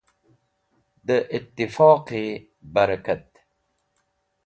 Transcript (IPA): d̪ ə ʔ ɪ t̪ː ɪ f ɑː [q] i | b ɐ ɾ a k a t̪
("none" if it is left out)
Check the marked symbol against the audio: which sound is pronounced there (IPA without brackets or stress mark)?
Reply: q